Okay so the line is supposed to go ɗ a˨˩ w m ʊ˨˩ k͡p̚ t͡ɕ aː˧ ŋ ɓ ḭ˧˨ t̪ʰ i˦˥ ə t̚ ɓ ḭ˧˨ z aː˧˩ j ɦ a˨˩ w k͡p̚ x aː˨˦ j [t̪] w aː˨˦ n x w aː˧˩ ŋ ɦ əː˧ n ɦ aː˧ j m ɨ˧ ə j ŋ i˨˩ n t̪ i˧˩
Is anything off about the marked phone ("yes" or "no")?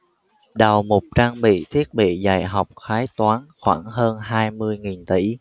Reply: no